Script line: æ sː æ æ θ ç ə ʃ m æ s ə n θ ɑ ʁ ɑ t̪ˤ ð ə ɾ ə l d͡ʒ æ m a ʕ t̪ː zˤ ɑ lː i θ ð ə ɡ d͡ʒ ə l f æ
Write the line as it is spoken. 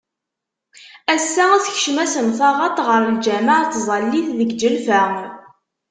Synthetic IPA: æ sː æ æ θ ç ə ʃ m æ s ə n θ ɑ ʁ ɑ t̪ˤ ʁ ə ɾ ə l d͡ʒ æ m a ʕ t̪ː zˤ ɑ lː i θ ð ə ɡ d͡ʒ ə l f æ